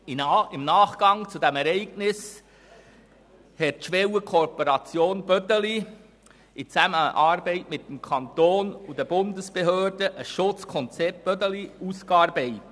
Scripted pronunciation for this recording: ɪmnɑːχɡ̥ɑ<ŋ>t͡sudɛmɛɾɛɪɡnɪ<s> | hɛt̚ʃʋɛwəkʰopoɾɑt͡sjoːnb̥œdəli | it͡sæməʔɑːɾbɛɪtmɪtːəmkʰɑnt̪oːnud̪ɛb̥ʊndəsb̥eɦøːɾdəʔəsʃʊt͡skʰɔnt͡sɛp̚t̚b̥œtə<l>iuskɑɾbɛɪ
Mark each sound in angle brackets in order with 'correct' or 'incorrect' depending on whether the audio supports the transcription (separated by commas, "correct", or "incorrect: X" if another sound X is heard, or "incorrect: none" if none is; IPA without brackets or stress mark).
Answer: correct, correct, correct